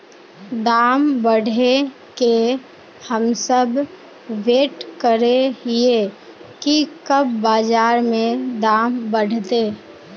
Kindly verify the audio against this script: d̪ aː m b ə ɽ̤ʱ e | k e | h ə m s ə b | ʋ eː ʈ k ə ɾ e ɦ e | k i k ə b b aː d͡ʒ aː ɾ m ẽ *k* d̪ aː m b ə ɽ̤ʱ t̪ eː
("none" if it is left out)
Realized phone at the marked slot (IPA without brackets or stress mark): none